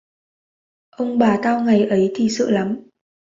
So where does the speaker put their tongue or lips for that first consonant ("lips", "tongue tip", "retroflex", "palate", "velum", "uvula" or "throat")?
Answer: throat